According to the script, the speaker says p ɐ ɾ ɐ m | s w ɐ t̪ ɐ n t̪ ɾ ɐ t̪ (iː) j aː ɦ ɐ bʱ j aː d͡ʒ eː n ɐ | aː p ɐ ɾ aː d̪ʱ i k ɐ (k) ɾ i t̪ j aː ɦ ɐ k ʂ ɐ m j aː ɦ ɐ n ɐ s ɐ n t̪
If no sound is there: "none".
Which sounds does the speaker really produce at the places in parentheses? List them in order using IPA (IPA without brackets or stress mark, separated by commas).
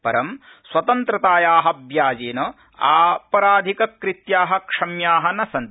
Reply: aː, k